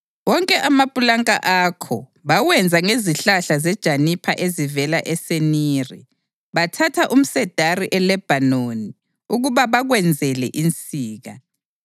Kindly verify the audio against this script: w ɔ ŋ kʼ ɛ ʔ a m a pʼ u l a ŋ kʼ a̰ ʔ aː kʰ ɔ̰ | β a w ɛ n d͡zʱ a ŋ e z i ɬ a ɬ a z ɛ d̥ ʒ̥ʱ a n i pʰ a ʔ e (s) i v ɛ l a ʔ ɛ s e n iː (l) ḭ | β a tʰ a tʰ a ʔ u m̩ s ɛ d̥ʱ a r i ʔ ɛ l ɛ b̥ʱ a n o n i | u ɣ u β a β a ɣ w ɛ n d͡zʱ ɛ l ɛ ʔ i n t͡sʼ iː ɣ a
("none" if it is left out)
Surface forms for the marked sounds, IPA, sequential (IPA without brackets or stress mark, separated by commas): z, r